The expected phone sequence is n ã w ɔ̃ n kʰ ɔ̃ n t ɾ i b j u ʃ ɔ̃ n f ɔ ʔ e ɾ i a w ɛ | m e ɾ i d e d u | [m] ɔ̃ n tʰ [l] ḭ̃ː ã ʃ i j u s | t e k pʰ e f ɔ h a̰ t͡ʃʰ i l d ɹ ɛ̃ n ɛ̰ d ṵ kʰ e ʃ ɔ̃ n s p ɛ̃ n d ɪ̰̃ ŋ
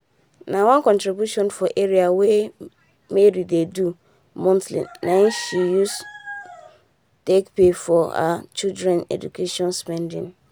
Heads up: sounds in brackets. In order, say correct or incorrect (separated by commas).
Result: correct, correct